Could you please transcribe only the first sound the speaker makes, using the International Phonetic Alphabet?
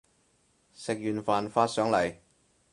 s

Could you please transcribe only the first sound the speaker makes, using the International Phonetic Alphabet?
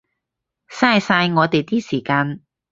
s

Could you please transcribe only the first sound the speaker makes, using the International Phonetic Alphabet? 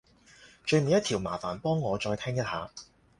t͡ʃ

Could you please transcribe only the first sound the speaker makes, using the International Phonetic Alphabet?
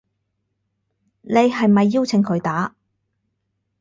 n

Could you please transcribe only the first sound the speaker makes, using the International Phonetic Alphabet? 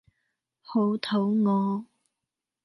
h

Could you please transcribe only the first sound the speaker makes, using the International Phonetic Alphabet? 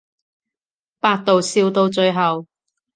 p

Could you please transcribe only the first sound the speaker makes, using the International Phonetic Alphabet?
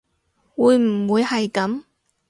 w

